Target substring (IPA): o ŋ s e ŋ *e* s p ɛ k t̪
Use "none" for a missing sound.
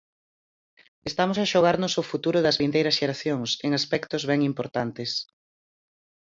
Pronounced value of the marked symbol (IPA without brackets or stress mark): a